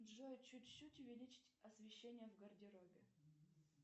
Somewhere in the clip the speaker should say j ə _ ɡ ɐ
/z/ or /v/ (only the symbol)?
v